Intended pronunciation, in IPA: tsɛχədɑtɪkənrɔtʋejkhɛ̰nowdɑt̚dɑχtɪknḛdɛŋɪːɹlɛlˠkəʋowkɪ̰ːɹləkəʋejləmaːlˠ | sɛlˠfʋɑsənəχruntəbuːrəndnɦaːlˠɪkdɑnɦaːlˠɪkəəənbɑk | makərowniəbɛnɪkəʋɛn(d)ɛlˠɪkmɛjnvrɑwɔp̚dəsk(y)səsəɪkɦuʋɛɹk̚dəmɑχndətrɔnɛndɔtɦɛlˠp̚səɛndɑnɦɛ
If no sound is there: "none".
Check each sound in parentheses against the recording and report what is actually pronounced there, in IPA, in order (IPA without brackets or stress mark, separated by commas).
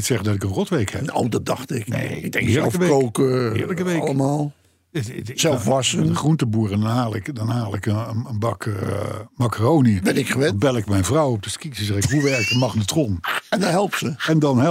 b, i